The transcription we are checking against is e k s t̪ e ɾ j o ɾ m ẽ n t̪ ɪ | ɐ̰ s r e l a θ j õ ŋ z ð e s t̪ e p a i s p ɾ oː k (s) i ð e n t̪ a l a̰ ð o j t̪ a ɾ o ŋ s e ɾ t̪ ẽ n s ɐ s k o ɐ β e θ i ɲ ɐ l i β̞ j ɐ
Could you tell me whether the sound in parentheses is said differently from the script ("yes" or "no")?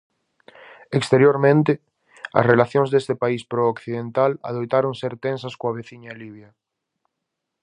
yes